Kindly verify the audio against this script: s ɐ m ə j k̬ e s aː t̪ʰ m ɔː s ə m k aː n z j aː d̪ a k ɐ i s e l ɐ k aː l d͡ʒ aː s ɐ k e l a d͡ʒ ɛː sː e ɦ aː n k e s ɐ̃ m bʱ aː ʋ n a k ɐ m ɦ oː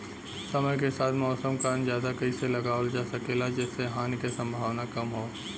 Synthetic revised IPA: s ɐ m ə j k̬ e s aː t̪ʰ m ɔː s ə m k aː n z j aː d̪ a k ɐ i s e l ɐ ɡ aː l d͡ʒ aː s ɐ k e l a d͡ʒ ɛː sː e ɦ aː n k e s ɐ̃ m bʱ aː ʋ n a k ɐ m ɦ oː